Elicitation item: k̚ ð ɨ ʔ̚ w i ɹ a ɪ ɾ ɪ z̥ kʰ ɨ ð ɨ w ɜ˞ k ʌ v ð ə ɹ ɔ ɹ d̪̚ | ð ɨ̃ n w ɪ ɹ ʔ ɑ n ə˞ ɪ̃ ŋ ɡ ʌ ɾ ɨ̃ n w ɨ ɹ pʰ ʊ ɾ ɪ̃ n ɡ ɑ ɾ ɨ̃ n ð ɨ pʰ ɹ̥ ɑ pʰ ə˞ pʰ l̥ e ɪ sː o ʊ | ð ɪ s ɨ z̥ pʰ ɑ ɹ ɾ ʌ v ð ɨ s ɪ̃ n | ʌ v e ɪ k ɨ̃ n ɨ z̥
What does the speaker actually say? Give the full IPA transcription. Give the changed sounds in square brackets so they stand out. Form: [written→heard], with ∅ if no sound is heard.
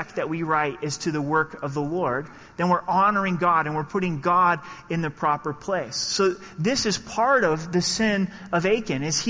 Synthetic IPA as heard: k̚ ð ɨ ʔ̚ w i ɹ a ɪ ɾ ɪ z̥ [kʰ→tʰ] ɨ ð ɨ w ɜ˞ k ʌ v ð ə [ɹ→l] ɔ ɹ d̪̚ | ð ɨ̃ n w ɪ ɹ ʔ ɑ n ə˞ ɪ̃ ŋ ɡ [ʌ→ɑ] ɾ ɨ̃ n w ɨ ɹ pʰ ʊ ɾ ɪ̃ [n→ŋ] ɡ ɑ ɾ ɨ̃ n ð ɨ pʰ ɹ̥ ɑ [pʰ→p] ə˞ pʰ l̥ e ɪ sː o ʊ | ð ɪ s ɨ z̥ pʰ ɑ ɹ ɾ ʌ v ð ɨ s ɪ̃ n | ʌ v e ɪ k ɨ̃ n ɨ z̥